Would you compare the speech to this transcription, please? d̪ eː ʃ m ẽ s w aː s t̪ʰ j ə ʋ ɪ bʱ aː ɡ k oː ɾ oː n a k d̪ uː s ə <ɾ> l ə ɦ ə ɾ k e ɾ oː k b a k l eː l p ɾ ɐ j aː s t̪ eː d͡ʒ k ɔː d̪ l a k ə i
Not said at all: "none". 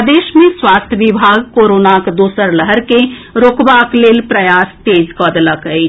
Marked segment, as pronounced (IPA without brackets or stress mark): ɾ